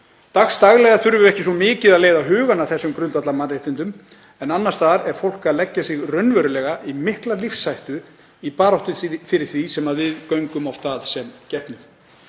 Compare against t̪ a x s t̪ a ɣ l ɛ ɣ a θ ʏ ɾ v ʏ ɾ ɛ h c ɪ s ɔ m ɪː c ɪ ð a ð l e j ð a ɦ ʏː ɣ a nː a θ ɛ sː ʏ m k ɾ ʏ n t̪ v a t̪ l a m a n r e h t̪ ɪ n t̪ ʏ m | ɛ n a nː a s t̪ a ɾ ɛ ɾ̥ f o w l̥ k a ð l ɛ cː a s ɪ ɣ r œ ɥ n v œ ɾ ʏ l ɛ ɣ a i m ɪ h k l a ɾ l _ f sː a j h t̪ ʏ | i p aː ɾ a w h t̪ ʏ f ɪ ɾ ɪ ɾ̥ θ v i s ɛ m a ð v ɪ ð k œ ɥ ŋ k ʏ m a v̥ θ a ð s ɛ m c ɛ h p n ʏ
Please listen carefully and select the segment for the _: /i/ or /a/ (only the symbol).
i